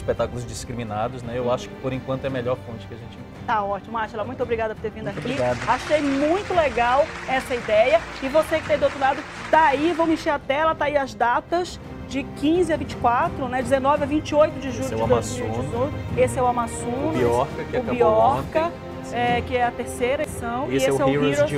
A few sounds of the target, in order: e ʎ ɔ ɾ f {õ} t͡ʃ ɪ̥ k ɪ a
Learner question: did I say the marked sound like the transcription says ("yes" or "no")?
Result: yes